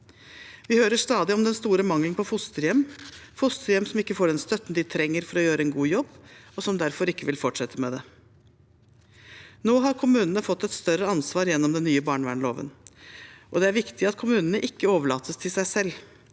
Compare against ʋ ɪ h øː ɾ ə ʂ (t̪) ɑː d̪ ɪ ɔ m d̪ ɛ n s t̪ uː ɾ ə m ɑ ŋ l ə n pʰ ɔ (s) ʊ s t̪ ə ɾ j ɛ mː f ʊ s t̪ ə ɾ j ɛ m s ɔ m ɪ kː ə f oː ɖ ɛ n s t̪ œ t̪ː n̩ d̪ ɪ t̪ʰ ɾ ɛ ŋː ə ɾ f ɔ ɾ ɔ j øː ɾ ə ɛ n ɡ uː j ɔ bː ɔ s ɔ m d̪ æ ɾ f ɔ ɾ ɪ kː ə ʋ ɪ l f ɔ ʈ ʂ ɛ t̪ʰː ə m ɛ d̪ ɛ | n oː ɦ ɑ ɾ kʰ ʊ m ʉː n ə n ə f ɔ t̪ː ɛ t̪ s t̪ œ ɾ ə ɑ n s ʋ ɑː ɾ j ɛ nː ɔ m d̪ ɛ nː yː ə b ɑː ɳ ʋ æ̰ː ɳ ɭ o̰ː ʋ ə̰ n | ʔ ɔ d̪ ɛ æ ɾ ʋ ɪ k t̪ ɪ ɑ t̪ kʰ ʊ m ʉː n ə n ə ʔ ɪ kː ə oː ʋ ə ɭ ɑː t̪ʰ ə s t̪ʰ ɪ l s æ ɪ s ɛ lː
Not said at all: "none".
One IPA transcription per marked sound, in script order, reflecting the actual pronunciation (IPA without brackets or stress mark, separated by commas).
t̪, f